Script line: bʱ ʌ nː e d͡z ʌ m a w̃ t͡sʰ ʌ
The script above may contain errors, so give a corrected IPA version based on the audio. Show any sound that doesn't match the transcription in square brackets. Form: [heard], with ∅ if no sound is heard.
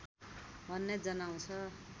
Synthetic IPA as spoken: bʱ ʌ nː e d͡z ʌ [n] a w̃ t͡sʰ ʌ